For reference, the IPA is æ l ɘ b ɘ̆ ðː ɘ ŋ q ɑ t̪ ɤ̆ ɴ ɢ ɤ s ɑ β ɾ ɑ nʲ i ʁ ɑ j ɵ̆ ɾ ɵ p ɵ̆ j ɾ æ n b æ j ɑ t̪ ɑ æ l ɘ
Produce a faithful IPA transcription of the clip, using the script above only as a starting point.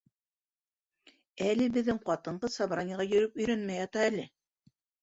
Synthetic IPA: æ l ɘ b ɘ̆ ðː ɘ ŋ q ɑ t̪ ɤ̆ ɴ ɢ ɤ s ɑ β ɾ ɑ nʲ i ʁ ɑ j ɵ̆ ɾ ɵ p ɵ̆ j ɾ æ n m æ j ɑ t̪ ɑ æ l ɘ